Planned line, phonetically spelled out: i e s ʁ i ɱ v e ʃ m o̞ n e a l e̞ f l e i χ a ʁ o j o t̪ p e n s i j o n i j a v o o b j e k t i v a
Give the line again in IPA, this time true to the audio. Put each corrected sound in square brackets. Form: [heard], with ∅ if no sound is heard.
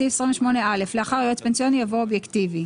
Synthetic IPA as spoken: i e s ʁ i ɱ v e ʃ m o̞ n e a l e̞ f l e [a] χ a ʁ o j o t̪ p e n s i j o n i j a v o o b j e k t i v [i]